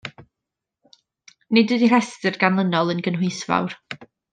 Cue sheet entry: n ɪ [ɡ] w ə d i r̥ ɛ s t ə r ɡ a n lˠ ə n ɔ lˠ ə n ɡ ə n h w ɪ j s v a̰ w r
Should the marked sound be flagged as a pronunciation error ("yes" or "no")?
yes